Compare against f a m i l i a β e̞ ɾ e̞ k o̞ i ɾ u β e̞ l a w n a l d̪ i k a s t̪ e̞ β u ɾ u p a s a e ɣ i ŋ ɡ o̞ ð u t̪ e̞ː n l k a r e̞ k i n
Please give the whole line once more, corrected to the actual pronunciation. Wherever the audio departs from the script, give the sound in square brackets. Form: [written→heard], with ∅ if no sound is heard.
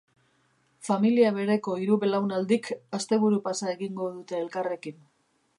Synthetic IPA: f a m i l i a β e̞ ɾ e̞ k o̞ i ɾ u β e̞ l a w n a l d̪ i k a s t̪ e̞ β u ɾ u p a s a e ɣ i ŋ ɡ o̞ ð u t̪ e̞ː [n→∅] l k a r e̞ k i n